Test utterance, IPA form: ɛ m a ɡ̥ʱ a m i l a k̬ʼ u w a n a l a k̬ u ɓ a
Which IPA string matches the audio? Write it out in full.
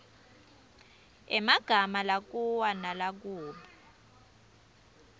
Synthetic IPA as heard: ɛ m a ɡ̥ʱ a m a l a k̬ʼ u w a n a l a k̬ uː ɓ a

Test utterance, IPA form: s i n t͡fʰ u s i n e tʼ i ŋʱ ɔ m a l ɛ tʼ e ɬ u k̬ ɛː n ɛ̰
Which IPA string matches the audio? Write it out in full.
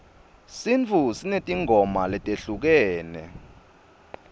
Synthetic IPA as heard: s i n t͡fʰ u s i n e tʼ i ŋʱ ɔ m a l ɛ tʼ e ɬ u k̬ ɛː n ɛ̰

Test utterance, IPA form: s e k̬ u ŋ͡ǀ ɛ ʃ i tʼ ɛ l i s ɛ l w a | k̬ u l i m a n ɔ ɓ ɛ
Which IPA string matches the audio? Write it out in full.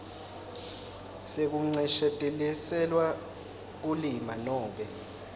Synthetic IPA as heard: s e k̬ u ŋ͡ǀ ɛ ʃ ɛ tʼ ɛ l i s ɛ l w a | k̬ u l i m a n ɔː ɓ ɛ

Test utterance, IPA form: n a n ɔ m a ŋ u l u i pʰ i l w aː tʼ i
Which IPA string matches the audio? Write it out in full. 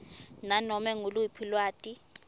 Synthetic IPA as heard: n a n ɔ m ɛ ŋ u l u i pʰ i l w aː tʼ i

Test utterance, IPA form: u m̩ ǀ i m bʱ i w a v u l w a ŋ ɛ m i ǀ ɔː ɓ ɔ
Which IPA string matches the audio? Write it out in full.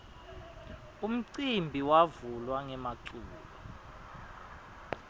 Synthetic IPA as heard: u m̩ ǀ i m bʱ i w a v u l w a ŋ ɛ m a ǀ uː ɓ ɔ

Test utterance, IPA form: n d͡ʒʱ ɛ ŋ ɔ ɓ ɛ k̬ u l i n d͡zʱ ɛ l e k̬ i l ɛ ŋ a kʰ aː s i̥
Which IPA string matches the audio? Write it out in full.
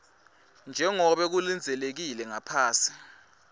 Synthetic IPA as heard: n d͡ʒʱ ɛ ŋ ɔ ɓ ɛ k̬ u l i n d͡zʱ ɛ l e k̬ i l ɛ ŋ a pʰ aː s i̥

